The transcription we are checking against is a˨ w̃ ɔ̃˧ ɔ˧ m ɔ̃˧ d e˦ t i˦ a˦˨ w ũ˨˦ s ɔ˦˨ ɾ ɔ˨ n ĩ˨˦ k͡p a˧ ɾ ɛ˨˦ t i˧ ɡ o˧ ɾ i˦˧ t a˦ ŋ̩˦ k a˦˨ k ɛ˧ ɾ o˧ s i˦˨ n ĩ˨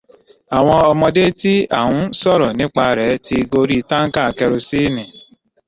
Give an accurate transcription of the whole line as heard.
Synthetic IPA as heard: a˨ w̃ ɔ̃˧ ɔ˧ m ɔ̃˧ d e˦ t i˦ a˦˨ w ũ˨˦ s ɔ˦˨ ɾ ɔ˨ n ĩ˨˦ k͡p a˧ ɾ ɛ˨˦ t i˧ ɡ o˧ ɾ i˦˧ t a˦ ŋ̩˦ k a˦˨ k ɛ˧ ɾ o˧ s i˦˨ n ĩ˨